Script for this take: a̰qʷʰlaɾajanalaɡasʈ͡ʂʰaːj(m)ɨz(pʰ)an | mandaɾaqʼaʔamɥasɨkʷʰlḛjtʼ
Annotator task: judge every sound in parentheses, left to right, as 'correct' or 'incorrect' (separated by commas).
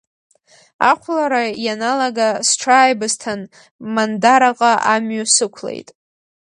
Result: incorrect, incorrect